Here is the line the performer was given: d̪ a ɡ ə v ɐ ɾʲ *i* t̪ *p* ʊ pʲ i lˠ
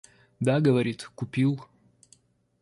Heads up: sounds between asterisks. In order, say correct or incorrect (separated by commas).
correct, incorrect